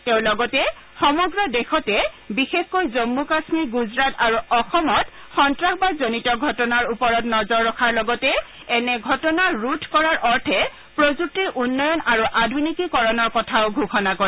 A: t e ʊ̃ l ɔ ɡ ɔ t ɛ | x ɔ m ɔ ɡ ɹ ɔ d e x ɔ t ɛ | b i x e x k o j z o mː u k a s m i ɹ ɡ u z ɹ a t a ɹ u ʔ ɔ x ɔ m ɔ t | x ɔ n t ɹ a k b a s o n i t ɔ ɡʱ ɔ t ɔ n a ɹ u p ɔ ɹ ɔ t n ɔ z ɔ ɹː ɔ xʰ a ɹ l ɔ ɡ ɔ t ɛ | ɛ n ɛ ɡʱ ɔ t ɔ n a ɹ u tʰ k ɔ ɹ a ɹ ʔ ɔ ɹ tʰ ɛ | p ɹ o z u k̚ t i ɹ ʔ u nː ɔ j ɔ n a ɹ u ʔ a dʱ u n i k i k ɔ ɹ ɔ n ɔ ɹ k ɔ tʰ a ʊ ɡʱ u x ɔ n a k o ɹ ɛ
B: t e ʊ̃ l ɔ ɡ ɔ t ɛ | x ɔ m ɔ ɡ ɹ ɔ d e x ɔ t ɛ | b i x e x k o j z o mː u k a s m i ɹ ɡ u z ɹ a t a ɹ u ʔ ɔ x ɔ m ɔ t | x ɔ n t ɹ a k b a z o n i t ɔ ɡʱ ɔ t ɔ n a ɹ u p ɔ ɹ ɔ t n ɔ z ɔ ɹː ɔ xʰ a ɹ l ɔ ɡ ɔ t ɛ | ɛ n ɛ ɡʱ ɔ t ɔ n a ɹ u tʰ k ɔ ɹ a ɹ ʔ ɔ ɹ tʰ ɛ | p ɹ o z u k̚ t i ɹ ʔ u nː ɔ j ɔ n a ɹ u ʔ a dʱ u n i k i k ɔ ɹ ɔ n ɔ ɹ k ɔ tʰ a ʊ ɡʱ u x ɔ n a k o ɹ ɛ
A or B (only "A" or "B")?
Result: B